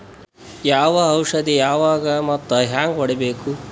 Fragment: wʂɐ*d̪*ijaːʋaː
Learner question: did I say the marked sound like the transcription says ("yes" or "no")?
yes